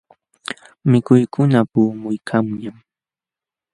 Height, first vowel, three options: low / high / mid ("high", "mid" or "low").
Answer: high